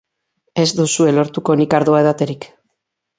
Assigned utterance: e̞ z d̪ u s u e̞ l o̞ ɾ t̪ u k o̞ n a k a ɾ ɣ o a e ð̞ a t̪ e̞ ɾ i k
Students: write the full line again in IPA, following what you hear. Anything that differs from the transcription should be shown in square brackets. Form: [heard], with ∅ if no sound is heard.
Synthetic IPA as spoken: e̞ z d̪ u s u e̞ l o̞ ɾ t̪ u k o̞ n [i] k a ɾ [ð] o a e ð̞ a t̪ e̞ ɾ i k